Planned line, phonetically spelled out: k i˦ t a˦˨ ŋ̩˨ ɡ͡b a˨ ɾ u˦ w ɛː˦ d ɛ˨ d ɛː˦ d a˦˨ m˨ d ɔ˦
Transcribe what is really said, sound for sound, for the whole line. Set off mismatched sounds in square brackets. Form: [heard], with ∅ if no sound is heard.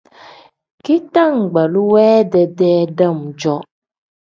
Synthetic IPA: k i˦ t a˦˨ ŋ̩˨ ɡ͡b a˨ [l] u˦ w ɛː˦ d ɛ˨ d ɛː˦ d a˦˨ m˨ [d͡ʒ] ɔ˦